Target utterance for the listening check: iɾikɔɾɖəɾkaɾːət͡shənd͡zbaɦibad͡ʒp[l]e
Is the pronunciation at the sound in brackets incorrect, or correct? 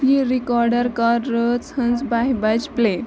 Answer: correct